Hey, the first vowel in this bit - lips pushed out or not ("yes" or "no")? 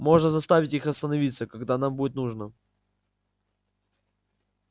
yes